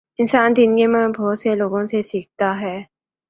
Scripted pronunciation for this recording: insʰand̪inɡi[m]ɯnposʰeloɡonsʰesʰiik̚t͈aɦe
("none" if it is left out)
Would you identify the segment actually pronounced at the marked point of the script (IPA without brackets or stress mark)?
m